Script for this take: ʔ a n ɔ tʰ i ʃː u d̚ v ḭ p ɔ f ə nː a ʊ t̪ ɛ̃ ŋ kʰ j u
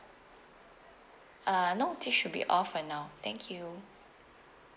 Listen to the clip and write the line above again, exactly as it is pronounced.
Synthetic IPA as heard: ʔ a n o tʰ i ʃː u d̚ b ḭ ʔ ɔ f ə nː a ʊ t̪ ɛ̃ ŋ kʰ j u